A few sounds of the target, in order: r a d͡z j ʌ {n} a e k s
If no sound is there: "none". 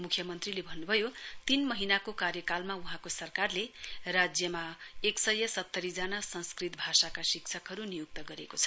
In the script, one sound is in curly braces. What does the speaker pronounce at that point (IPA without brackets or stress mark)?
m